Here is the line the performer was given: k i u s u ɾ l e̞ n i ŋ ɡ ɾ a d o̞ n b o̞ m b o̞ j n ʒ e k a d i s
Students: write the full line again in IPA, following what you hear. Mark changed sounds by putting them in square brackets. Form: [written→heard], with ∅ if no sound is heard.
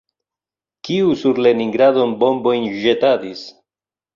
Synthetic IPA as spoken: k i u s u ɾ l e̞ n i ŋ ɡ ɾ a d o̞ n b o̞ m b o̞ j n ʒ e [k→t] a d i s